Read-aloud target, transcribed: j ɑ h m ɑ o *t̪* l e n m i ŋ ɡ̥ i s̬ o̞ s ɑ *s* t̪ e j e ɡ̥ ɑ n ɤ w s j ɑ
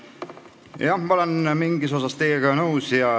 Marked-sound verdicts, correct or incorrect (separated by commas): incorrect, correct